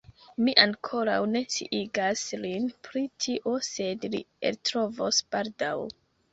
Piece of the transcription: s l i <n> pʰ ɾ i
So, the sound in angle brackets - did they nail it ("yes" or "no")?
yes